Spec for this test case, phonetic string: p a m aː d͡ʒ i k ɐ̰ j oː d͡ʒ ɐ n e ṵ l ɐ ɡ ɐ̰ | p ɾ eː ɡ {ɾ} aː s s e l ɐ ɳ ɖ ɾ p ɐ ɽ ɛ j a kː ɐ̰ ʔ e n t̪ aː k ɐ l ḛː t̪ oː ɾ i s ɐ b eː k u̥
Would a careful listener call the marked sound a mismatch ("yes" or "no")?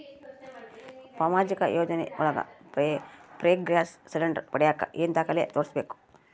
no